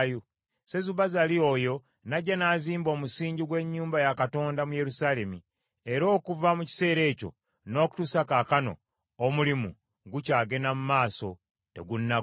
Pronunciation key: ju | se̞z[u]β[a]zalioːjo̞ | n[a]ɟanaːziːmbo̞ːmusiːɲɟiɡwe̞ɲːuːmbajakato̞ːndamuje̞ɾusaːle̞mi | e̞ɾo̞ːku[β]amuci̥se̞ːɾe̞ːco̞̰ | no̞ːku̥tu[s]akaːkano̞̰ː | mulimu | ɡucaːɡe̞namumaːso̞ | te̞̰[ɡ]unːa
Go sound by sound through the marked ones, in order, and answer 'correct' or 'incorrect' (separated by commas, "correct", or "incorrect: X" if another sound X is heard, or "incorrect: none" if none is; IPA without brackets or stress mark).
correct, correct, correct, incorrect: v, correct, correct